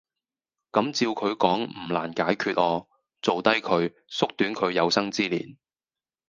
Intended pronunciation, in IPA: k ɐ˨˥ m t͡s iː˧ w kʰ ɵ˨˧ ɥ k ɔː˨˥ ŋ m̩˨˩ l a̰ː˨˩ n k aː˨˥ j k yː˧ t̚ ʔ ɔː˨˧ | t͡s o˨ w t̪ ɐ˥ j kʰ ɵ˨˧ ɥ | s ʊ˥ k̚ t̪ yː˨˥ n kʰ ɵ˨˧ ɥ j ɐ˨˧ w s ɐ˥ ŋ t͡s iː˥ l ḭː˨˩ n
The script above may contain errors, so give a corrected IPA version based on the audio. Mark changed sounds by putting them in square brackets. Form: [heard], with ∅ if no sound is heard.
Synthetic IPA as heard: k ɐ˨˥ m t͡s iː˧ w kʰ ɵ˨˧ ɥ k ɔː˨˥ ŋ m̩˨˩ l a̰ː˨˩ n k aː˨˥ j [kʰ] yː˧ t̚ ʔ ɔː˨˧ | t͡s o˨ w t̪ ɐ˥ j kʰ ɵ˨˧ ɥ | s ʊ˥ k̚ t̪ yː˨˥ n kʰ ɵ˨˧ ɥ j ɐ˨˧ w s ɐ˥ ŋ t͡s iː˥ l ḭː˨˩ n